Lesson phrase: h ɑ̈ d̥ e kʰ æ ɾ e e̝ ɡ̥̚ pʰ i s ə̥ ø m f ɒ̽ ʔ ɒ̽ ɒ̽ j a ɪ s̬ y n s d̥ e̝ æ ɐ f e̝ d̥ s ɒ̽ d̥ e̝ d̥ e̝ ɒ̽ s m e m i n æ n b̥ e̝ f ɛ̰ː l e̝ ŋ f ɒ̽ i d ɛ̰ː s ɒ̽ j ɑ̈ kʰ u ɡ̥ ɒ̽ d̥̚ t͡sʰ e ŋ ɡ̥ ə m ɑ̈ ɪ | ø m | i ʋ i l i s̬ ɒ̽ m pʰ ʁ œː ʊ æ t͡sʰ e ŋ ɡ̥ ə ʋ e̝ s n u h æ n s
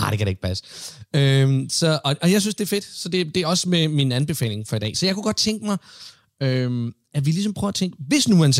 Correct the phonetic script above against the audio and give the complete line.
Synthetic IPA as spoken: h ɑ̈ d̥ e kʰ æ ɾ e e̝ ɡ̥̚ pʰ æ s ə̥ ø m s ɒ̽ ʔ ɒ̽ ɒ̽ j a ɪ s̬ y n s d̥ e̝ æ ɐ f e̝ d̥ s ɒ̽ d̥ e̝ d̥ e̝ ɒ̽ s m e m i n æ n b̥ e̝ f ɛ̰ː l e̝ ŋ f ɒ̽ i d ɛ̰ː s ɒ̽ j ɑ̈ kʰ u ɡ̥ ɒ̽ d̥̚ t͡sʰ e ŋ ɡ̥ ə m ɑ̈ ɪ | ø m | æ ʋ i l i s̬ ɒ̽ m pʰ ʁ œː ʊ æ t͡sʰ e ŋ ɡ̥ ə ʋ e̝ s n u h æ n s